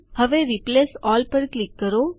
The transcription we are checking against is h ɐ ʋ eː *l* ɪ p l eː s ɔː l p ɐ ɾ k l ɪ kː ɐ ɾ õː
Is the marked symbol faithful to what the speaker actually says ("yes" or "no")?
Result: no